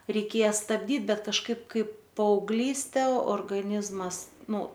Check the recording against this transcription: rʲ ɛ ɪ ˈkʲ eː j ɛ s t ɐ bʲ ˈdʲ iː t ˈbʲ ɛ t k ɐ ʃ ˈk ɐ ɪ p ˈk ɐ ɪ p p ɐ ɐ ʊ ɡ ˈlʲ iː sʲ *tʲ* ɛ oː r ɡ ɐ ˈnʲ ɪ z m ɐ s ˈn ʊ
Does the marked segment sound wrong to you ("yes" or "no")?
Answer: no